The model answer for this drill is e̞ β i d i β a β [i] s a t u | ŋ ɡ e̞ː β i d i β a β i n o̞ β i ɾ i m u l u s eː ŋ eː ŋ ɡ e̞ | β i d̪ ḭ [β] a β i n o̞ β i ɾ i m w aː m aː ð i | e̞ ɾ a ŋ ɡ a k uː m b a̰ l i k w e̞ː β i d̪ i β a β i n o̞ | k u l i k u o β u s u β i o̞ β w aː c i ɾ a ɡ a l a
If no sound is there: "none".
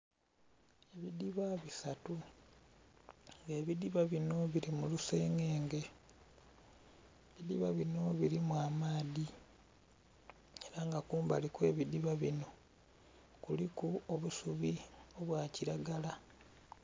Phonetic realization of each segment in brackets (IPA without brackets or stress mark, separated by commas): i, β